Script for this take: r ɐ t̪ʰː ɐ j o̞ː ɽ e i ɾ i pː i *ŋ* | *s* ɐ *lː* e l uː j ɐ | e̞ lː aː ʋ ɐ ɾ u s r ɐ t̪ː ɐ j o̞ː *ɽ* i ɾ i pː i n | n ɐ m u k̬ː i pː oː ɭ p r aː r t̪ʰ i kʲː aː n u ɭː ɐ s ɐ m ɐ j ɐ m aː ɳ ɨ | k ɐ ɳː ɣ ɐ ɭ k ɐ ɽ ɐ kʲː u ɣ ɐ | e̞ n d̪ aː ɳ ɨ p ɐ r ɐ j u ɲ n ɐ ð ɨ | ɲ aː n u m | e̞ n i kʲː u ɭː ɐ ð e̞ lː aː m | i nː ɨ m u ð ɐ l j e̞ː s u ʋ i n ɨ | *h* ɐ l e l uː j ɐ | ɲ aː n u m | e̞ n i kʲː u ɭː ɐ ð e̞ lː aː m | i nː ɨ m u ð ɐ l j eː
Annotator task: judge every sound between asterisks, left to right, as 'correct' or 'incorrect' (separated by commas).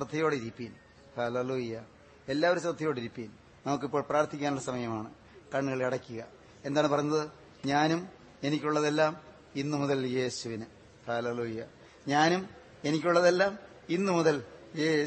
incorrect, incorrect, incorrect, correct, correct